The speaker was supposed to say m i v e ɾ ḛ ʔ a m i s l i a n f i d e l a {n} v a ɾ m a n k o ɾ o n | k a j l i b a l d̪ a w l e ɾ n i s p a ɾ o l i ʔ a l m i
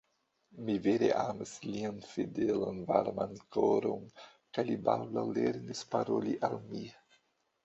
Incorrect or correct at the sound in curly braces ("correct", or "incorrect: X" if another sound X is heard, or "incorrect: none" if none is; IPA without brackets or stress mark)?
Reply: correct